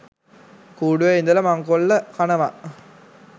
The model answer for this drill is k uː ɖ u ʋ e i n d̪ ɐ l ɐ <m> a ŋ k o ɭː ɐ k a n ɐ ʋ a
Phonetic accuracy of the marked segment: correct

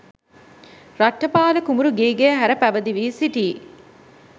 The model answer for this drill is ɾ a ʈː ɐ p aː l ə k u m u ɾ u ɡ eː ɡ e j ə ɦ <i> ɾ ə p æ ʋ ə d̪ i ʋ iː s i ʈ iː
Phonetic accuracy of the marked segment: incorrect: æ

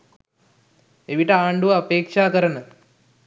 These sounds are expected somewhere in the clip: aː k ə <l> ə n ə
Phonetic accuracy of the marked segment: incorrect: ɾ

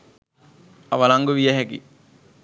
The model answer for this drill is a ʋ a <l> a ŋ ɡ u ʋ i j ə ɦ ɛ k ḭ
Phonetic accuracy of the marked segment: correct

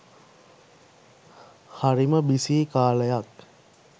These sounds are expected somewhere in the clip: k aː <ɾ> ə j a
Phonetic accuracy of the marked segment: incorrect: l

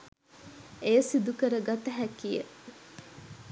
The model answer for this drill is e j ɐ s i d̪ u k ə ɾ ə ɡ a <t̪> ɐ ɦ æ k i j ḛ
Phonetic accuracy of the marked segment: correct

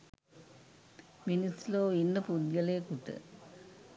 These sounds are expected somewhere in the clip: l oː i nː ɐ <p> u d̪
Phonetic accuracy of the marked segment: correct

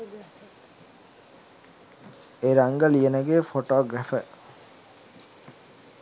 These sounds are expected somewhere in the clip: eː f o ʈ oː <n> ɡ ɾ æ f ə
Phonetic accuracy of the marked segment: incorrect: none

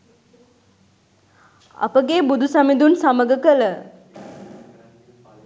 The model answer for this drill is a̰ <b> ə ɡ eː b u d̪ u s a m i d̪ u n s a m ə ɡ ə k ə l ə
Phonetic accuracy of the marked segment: incorrect: p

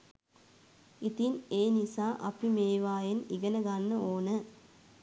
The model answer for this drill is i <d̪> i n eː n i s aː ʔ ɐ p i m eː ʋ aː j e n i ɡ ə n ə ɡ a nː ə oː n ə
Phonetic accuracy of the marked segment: incorrect: t̪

